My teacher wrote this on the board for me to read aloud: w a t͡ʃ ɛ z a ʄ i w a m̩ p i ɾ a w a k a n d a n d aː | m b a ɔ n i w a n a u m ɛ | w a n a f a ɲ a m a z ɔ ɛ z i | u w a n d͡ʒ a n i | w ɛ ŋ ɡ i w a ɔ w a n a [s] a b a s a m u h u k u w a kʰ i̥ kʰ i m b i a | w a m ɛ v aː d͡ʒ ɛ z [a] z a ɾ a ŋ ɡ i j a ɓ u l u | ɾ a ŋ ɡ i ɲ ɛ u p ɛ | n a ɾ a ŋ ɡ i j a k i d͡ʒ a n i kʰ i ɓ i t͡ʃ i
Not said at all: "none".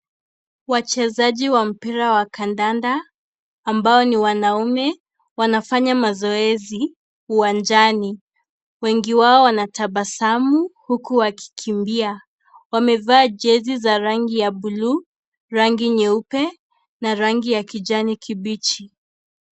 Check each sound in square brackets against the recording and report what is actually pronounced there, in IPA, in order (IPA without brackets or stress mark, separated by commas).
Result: t, i